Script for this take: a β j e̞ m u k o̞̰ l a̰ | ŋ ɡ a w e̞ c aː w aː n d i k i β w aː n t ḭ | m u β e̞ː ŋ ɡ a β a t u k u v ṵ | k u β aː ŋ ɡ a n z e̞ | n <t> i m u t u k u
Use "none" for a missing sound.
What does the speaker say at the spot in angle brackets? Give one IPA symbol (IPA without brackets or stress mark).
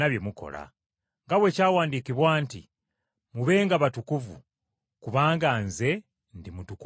d